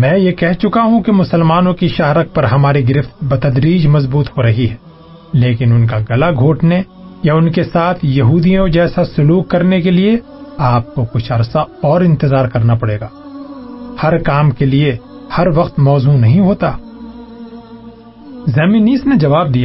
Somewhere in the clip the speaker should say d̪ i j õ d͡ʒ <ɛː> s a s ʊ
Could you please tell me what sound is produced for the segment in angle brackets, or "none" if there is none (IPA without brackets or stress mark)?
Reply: ɛː